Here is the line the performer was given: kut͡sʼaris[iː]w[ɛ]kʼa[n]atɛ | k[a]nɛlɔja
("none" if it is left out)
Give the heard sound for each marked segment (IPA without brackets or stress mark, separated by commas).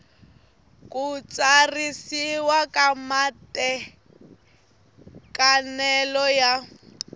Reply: i, a, m, a